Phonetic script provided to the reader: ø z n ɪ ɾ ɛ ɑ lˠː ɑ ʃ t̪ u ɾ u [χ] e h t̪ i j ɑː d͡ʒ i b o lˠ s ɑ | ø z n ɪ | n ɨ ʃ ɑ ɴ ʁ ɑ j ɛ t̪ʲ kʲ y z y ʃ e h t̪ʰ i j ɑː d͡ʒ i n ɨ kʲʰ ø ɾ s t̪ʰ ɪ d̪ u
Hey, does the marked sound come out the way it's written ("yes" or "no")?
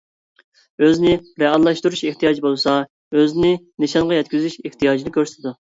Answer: no